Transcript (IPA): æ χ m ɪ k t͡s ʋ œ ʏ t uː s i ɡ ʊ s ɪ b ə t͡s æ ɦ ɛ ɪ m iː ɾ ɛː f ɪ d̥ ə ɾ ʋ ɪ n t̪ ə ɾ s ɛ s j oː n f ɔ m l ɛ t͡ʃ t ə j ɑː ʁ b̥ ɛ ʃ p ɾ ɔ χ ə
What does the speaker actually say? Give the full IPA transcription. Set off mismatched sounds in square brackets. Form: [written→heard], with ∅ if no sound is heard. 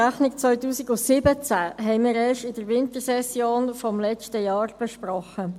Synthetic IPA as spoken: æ χ [m→n] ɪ k t͡s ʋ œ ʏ t uː s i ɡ ʊ s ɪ b ə t͡s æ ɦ ɛ ɪ m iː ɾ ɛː [f→ʃ] ɪ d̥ ə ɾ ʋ ɪ n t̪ ə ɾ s ɛ s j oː n f ɔ m l ɛ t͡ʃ t ə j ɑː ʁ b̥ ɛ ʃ p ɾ ɔ χ ə

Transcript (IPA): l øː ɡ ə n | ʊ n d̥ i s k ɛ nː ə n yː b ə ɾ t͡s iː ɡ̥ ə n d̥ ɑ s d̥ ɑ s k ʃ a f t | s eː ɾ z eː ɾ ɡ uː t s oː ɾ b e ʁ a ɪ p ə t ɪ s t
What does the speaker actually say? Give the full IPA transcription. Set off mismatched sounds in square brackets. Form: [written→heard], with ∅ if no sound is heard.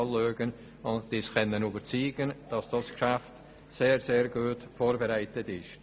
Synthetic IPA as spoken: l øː ɡ ə n | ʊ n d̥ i s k ɛ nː ə n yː b ə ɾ t͡s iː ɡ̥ ə n d̥ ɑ s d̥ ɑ s k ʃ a f t | s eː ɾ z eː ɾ ɡ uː t [s→f] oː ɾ b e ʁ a ɪ [p→t] ə t ɪ [s→ʃ] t

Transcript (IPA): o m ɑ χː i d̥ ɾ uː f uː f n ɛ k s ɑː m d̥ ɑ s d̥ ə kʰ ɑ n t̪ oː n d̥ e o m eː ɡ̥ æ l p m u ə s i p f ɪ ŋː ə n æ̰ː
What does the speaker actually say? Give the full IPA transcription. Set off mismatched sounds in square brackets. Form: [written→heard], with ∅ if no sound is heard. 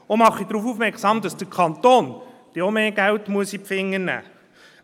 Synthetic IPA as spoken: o m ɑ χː i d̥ ɾ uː f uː f [n→m] ɛ k s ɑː m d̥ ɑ s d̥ ə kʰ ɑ n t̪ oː n d̥ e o m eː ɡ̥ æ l [p→t] m u ə s i p f ɪ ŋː ə n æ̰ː

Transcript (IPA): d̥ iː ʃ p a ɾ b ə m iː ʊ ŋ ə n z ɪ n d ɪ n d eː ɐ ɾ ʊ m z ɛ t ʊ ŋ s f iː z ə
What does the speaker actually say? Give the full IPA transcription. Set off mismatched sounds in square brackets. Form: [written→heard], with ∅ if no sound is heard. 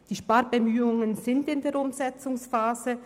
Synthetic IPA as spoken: d̥ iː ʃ p a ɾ b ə m [iː→yː] ʊ ŋ ə n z ɪ n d ɪ n d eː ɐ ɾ ʊ m z ɛ [t→t͡s] ʊ ŋ s f [iː→aː] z ə

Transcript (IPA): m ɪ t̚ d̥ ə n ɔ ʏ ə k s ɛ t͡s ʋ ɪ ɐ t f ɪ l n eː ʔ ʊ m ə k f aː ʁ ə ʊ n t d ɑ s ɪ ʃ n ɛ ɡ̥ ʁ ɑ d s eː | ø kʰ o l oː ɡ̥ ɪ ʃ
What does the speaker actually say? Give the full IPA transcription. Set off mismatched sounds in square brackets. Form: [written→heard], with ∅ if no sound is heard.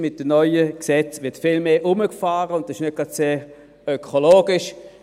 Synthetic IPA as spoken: m ɪ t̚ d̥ ə n ɔ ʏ ə k s ɛ t͡s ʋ ɪ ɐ t f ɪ l [n→m] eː ʔ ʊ m ə k f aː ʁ ə ʊ n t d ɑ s ɪ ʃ n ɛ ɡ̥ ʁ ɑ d s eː | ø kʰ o l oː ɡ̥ ɪ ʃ

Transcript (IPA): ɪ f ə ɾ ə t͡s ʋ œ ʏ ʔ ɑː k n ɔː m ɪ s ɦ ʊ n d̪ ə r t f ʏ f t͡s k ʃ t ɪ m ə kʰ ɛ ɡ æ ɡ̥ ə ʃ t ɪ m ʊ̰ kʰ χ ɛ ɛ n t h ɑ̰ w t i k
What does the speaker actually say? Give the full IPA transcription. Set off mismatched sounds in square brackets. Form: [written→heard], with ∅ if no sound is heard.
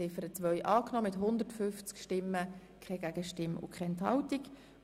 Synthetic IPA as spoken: ɪ f ə ɾ ə t͡s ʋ œ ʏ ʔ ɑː k n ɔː m ɪ [s→t] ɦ ʊ n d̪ ə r t f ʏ f t͡s k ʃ t ɪ m ə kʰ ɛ ɡ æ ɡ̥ ə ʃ t ɪ m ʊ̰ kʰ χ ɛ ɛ n t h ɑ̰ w t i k

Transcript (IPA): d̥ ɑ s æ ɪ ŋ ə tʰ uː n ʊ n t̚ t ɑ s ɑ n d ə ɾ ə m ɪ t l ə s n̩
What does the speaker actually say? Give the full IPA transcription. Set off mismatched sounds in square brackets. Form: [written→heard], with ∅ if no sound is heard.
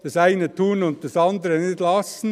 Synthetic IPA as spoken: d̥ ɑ s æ ɪ [ŋ→n] ə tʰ uː n ʊ n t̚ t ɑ s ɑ n d ə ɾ ə [m→n] ɪ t l [ə→ɑ] s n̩

